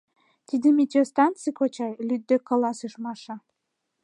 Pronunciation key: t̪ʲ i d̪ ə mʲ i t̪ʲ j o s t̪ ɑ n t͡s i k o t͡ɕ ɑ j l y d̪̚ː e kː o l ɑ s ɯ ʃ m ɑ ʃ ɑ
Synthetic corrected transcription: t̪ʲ i d̪ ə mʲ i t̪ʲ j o s t̪ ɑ n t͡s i k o t͡ɕ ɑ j l y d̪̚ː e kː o l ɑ s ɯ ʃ m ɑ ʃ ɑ